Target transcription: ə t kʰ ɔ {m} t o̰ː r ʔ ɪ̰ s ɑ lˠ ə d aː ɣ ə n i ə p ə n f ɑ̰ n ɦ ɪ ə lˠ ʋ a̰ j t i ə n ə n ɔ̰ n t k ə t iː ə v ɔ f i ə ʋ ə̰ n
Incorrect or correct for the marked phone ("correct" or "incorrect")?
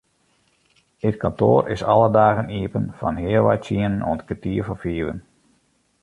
incorrect